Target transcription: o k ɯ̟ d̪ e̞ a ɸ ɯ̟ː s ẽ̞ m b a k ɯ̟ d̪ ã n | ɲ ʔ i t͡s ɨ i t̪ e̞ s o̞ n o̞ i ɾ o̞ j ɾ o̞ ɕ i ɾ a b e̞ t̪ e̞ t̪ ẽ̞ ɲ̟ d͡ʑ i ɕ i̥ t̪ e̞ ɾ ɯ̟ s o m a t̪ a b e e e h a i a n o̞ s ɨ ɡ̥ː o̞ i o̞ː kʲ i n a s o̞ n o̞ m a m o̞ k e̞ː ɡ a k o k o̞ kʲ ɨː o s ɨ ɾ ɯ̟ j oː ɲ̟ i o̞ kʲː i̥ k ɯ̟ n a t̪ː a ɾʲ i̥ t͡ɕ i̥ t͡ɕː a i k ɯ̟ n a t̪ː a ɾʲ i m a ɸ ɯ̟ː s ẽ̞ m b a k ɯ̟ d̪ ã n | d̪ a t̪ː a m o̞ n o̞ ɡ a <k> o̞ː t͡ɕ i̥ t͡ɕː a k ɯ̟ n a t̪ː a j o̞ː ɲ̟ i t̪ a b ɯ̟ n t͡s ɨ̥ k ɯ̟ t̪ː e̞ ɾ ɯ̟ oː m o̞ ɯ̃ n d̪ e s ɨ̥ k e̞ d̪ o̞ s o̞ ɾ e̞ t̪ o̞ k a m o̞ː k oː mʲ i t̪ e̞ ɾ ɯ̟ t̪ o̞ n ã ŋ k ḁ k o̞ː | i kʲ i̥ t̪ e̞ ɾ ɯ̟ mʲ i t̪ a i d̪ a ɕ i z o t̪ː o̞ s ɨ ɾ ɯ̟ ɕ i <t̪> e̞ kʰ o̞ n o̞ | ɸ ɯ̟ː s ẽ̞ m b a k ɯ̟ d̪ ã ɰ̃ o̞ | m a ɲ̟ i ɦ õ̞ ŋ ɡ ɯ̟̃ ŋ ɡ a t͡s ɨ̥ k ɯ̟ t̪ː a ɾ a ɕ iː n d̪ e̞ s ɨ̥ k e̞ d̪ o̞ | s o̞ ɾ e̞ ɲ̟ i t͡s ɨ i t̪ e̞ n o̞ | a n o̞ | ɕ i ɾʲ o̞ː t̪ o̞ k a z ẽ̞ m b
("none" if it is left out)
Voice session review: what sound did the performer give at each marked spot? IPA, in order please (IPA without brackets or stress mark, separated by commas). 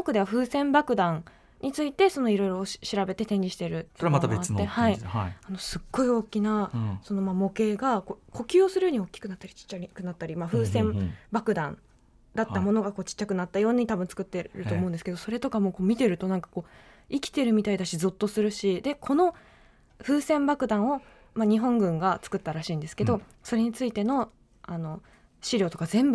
k, d̪